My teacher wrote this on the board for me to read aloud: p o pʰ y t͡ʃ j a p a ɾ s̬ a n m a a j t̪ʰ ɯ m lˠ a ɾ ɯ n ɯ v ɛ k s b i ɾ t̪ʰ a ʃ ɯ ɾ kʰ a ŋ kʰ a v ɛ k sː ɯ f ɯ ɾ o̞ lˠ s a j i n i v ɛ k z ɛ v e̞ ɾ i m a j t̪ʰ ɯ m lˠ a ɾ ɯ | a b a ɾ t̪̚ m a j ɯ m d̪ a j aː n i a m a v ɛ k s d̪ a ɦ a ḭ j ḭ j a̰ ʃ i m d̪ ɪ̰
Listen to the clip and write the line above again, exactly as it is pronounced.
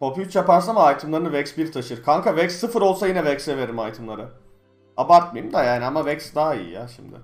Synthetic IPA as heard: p o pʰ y t͡ʃ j a p a ɾ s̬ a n m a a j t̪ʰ ɯ m lˠ a ɾ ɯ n ɯ v ɛ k s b i ɾ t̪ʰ a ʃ ɯ ɾ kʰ a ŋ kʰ a v ɛ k sː ɯ f ɯ ɾ o̞ lˠ s a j i n ɛ v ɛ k s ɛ v e̞ ɾ i m a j t̪ʰ ɯ m lˠ a ɾ ɯ | a b a ɾ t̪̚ m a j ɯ m d̪ a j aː n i a m a v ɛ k s d̪ a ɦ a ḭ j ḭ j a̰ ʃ i m d̪ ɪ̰